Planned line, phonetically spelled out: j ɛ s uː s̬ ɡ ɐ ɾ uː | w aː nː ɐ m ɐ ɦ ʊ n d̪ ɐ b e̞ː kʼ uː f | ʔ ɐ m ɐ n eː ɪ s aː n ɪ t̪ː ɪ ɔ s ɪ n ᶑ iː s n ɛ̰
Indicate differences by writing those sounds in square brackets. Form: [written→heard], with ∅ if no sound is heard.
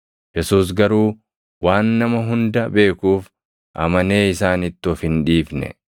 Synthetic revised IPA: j ɛ s uː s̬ ɡ ɐ ɾ uː | w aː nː ɐ m ɐ ɦ ʊ n d̪ ɐ b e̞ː [kʼ→k] uː f | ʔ ɐ m ɐ n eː ɪ s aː n ɪ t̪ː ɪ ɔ [s→f] ɪ n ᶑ iː [s→f] n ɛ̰

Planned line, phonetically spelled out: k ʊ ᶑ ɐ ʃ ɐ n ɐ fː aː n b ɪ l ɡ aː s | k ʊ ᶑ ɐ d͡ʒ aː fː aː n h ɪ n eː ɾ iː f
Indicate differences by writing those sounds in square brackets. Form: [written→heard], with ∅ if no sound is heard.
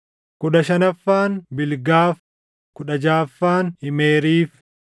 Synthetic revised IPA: k ʊ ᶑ ɐ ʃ ɐ n ɐ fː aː n b ɪ l ɡ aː [s→f] | k ʊ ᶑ ɐ d͡ʒ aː fː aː n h ɪ [n→m] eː ɾ iː f

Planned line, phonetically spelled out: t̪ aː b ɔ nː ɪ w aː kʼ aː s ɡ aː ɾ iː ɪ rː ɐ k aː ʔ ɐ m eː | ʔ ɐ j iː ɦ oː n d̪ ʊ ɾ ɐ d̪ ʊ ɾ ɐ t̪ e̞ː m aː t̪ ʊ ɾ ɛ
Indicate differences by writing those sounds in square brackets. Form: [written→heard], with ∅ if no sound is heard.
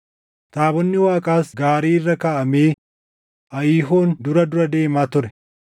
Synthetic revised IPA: t̪ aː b ɔ nː ɪ w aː kʼ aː s ɡ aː ɾ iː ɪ rː ɐ k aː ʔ ɐ m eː | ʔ ɐ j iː ɦ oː n d̪ ʊ ɾ ɐ d̪ ʊ ɾ ɐ [t̪→d̪] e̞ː m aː t̪ ʊ ɾ ɛ

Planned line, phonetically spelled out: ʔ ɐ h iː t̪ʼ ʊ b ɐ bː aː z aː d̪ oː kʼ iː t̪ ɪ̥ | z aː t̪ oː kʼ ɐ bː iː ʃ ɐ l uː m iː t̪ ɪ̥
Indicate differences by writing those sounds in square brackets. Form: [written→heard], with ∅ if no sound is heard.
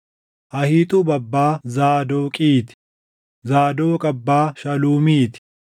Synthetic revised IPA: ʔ ɐ h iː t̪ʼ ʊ b ɐ bː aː z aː d̪ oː kʼ iː t̪ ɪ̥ | z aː [t̪→d̪] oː kʼ ɐ bː [iː→aː] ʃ ɐ l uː m iː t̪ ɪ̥

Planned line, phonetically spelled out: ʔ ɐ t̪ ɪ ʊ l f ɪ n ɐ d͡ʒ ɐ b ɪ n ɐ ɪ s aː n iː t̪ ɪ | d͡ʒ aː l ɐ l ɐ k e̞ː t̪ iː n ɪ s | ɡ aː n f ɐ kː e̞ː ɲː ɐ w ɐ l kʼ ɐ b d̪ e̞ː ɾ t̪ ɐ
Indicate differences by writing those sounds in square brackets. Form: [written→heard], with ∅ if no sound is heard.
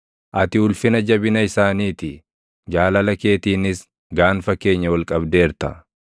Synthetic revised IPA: ʔ ɐ t̪ ɪ ʊ l f ɪ n ɐ d͡ʒ ɐ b ɪ n ɐ ɪ s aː n iː t̪ ɪ | d͡ʒ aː l ɐ l ɐ k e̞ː t̪ iː n ɪ s | ɡ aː n f ɐ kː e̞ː ɲː ɐ w ɐ l kʼ ɐ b d̪ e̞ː ɾ t̪ ɐ

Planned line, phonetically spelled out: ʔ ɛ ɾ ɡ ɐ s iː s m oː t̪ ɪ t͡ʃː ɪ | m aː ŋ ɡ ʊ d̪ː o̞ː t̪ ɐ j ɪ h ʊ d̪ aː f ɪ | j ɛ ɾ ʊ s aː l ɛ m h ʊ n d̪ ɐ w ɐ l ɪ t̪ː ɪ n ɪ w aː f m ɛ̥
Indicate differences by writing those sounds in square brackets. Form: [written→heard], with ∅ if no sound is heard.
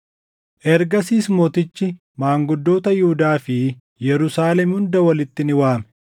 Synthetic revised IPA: ʔ ɛ ɾ ɡ ɐ s iː s m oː t̪ ɪ t͡ʃː ɪ | m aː ŋ ɡ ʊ d̪ː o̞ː t̪ ɐ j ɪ h ʊ d̪ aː f ɪ | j ɛ ɾ ʊ s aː l ɛ m h ʊ n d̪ ɐ w ɐ l ɪ t̪ː ɪ n ɪ w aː [f→∅] m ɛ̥

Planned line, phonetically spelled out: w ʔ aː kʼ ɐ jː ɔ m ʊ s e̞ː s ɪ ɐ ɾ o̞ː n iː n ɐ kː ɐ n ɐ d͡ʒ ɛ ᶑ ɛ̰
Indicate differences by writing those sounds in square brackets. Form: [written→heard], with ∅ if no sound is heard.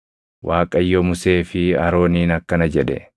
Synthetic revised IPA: w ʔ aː kʼ ɐ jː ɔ m ʊ s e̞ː [s→f] ɪ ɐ ɾ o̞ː n iː n ɐ kː ɐ n ɐ d͡ʒ ɛ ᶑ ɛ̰

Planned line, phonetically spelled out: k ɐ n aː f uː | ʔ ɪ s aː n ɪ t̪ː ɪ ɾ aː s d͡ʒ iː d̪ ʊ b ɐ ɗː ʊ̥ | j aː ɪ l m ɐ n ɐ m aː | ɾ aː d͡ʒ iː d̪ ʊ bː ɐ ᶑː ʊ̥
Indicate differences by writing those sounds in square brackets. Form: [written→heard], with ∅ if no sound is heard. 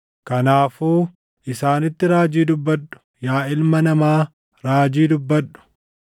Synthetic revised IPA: k ɐ n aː f uː | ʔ ɪ s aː n ɪ t̪ː ɪ ɾ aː [s→∅] d͡ʒ iː d̪ ʊ [b→bː] ɐ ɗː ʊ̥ | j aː ɪ l m ɐ n ɐ m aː | ɾ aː d͡ʒ iː d̪ ʊ bː ɐ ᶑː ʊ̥

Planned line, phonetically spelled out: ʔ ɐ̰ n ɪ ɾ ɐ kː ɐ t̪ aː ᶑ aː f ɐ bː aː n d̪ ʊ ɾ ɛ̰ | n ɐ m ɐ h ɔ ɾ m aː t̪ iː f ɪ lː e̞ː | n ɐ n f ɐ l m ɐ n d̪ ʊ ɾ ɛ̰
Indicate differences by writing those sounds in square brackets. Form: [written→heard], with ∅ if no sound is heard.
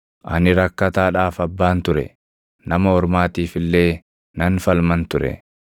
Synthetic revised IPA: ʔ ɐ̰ n ɪ ɾ ɐ kː ɐ t̪ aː ᶑ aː f ɐ bː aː n [d̪→t̪] ʊ ɾ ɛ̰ | n ɐ m ɐ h ɔ ɾ m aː t̪ iː f ɪ lː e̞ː | n ɐ n f ɐ l m ɐ n [d̪→t̪] ʊ ɾ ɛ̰

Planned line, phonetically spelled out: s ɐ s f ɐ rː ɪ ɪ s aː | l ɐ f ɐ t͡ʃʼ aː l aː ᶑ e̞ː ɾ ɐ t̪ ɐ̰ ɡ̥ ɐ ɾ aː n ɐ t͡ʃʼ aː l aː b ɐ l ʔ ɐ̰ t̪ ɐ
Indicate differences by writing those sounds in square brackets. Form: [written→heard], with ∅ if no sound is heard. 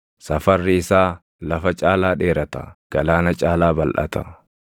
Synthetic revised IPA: s ɐ [s→∅] f ɐ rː ɪ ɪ s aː | l ɐ f ɐ t͡ʃʼ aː l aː ᶑ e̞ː ɾ ɐ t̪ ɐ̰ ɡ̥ ɐ [ɾ→l] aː n ɐ t͡ʃʼ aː l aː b ɐ l ʔ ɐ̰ t̪ ɐ

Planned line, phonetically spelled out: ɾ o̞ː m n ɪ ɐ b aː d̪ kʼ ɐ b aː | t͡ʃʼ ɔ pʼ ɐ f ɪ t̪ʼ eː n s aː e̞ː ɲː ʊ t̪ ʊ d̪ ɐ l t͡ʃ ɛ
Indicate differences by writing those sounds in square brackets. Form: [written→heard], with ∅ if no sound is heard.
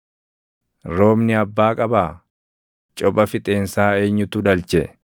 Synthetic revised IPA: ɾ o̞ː m n ɪ ɐ [b→bː] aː [d̪→∅] kʼ ɐ b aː | t͡ʃʼ ɔ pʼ ɐ f ɪ t̪ʼ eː n s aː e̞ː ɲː ʊ t̪ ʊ d̪ ɐ l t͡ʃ ɛ

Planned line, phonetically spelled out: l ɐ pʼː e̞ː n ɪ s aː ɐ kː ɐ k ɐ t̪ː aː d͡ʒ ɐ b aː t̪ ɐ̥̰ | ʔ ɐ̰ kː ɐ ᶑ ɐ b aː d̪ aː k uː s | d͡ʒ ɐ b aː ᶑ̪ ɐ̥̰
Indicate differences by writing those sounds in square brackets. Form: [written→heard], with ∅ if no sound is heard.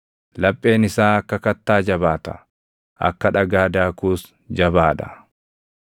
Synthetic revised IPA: l ɐ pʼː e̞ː n ɪ s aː ɐ kː ɐ k ɐ t̪ː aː d͡ʒ ɐ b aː t̪ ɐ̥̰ | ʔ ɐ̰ kː ɐ ᶑ ɐ [b→ɡ] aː d̪ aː k uː s | d͡ʒ ɐ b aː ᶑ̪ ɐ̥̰

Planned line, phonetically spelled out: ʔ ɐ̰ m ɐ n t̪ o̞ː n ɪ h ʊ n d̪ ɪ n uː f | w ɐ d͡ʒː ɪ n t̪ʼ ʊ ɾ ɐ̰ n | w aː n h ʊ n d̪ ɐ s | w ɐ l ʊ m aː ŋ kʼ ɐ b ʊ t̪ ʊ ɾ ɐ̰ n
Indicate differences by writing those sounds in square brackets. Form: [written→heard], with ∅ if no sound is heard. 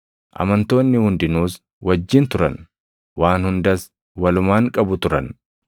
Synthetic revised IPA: ʔ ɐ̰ m ɐ n t̪ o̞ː [n→nː] ɪ h ʊ n d̪ ɪ n uː [f→s] | w ɐ d͡ʒː ɪ n [t̪ʼ→t̪] ʊ ɾ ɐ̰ n | w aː n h ʊ n d̪ ɐ s | w ɐ l ʊ m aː ŋ kʼ ɐ b ʊ t̪ ʊ ɾ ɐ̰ n

